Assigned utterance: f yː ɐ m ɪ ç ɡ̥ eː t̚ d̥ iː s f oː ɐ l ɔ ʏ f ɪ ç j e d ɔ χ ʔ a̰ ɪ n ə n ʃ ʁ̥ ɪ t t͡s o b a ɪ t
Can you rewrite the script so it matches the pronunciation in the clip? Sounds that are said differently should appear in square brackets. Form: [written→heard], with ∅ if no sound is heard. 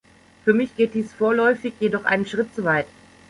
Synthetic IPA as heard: f yː ɐ m ɪ ç ɡ̥ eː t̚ d̥ iː s f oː ɐ l ɔ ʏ f ɪ ç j e d ɔ χ ʔ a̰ ɪ n ə n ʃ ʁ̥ ɪ t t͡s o [b→v] a ɪ t